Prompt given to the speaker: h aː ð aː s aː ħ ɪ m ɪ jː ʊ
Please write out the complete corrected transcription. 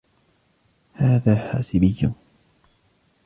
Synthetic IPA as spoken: h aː ð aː ħ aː s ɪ b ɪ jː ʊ